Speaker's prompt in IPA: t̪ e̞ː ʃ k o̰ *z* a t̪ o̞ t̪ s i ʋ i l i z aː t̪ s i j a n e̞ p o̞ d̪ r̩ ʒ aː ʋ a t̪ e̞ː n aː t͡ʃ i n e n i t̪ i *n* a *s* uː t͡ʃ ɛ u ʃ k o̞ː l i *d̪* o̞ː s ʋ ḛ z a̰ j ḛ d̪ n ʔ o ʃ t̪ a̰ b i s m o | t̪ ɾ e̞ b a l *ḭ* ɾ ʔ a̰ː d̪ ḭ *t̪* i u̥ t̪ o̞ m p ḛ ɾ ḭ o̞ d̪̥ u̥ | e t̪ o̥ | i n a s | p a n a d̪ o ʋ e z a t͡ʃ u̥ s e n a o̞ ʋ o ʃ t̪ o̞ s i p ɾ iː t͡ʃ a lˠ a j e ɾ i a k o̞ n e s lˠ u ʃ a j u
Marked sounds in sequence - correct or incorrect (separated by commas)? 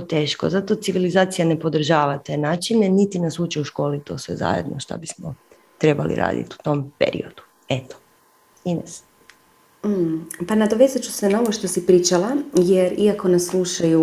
correct, correct, correct, incorrect, correct, correct